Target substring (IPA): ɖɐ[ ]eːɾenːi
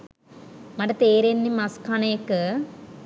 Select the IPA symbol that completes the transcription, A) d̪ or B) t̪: B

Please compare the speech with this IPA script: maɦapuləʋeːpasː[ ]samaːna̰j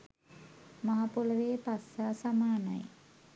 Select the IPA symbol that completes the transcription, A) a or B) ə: A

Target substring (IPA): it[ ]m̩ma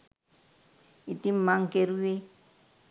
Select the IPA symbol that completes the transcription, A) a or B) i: B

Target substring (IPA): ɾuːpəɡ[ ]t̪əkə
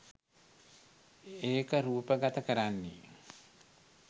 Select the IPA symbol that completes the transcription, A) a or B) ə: A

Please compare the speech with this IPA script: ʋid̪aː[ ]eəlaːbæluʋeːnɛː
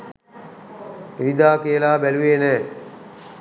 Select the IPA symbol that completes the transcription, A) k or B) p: A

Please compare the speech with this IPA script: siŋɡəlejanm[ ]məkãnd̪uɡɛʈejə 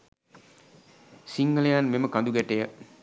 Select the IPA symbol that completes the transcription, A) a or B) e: B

